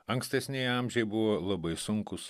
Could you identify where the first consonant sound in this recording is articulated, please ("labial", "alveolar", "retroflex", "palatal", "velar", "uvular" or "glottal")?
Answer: velar